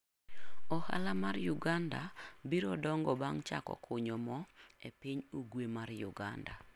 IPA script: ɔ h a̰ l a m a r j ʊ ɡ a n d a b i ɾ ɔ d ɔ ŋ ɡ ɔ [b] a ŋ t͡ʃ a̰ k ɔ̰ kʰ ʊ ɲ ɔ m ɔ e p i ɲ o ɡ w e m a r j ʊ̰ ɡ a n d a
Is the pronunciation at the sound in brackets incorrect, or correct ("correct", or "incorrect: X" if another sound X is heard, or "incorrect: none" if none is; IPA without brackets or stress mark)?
correct